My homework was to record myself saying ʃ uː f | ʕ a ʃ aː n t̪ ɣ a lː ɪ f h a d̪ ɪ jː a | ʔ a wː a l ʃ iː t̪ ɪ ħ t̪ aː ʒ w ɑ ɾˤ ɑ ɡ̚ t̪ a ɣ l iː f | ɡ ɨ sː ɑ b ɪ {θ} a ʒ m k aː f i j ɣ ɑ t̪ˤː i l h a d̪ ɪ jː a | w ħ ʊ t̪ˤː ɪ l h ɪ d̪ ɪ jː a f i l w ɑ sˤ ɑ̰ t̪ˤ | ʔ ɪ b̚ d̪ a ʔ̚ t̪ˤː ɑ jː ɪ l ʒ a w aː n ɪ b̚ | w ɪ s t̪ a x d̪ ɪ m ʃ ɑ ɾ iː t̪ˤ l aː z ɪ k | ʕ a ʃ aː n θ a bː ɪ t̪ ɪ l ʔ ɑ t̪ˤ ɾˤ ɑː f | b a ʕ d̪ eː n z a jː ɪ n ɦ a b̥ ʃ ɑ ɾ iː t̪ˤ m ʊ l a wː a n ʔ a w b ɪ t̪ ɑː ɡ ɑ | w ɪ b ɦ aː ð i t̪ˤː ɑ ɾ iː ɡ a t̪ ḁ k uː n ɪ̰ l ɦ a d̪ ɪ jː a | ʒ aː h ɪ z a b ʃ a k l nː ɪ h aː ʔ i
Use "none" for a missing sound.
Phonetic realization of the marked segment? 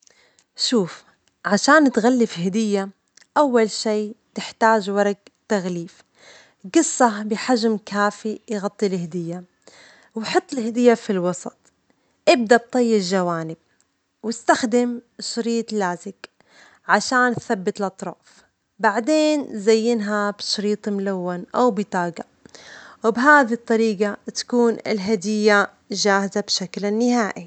ħ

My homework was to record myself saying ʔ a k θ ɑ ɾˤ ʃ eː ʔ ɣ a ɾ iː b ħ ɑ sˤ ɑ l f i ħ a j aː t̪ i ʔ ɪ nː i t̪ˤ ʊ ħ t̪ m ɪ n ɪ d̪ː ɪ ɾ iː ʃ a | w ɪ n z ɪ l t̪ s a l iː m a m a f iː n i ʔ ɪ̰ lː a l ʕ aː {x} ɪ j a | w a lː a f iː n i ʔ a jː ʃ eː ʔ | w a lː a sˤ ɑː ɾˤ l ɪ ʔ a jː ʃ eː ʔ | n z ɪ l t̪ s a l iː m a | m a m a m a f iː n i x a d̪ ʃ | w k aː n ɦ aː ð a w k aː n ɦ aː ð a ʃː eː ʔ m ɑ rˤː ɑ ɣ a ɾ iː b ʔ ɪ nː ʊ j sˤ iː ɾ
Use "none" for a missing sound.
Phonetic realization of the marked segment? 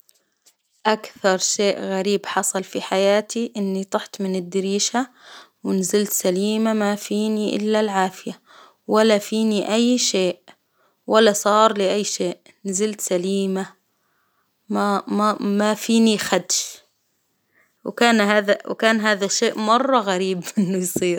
f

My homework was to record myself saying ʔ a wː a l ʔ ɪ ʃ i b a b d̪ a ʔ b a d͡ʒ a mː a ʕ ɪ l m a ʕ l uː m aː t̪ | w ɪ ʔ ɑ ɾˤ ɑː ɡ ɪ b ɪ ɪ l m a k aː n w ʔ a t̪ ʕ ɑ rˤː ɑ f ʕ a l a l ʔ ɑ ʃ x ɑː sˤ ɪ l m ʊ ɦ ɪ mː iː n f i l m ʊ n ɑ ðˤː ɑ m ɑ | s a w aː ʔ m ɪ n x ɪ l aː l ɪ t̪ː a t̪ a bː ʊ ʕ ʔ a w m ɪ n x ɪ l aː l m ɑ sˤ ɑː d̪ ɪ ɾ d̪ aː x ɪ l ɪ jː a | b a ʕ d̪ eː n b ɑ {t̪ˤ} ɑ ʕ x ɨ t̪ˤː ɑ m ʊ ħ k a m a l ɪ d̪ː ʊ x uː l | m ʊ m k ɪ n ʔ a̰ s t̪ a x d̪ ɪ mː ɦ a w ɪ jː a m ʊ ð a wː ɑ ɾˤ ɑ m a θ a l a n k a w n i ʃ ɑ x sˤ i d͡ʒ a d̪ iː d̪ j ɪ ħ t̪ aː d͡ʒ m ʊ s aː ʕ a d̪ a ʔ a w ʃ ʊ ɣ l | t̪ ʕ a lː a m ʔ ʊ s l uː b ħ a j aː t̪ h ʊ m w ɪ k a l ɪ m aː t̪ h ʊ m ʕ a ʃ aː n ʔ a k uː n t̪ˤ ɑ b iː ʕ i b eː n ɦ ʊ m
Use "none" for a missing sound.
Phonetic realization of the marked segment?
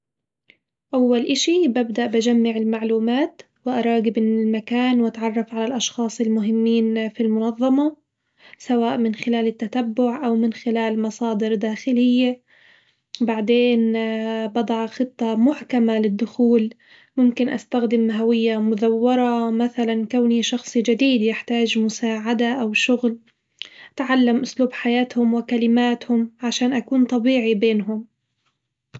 d̪ˤ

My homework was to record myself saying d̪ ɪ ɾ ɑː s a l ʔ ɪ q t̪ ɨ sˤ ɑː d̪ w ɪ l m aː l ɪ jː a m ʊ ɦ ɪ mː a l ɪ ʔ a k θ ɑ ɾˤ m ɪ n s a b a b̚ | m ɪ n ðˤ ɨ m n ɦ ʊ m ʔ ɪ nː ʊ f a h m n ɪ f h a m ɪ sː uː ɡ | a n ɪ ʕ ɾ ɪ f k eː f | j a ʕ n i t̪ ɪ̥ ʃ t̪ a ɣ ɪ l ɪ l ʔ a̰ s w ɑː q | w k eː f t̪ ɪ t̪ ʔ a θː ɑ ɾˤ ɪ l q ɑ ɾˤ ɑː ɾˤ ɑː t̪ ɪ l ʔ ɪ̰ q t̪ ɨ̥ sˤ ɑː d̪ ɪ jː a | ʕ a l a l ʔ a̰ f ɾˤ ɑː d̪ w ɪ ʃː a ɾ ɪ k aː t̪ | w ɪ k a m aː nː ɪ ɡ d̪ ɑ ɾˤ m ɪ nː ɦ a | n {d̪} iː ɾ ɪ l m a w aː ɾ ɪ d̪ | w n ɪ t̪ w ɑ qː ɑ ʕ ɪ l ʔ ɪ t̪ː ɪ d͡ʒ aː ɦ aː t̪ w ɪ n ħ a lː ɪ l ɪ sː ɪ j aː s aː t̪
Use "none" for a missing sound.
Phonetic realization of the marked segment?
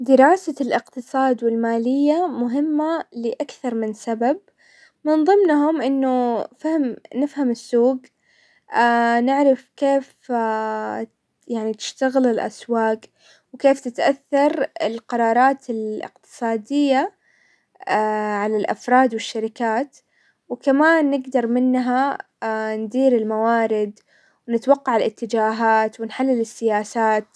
d̪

